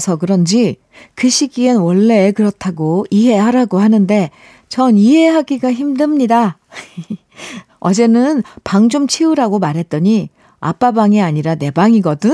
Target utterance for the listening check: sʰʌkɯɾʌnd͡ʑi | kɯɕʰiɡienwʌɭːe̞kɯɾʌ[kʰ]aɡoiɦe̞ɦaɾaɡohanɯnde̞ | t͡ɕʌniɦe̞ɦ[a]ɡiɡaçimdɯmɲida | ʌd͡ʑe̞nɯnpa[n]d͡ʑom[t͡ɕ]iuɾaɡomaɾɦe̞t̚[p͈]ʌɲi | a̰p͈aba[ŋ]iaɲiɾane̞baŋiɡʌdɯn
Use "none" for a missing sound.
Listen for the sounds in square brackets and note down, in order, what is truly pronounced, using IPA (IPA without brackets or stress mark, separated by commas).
tʰ, a, ŋ, t͡ɕʰ, t͈, ŋ